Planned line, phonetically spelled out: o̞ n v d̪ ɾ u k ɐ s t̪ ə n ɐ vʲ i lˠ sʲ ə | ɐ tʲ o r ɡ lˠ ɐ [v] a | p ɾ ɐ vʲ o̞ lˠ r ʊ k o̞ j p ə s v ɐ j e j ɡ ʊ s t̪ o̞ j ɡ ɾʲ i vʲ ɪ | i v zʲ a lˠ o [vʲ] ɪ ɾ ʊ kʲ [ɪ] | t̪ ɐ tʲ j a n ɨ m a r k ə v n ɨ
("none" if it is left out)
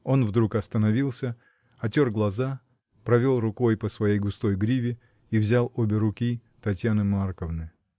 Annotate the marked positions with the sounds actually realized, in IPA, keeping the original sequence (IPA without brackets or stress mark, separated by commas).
z, bʲ, i